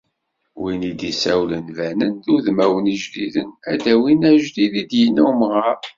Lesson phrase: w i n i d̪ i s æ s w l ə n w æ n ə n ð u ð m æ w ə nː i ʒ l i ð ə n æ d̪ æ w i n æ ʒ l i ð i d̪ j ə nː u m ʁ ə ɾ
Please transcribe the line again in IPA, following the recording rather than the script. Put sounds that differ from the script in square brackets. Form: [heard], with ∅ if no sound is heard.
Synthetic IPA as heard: w i n i d̪ i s æ [∅] w l ə n [v] æ n ə n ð u ð m æ w ə [n] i ʒ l i ð ə n æ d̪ æ w i n æ ʒ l i ð i d̪ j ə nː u m ʁ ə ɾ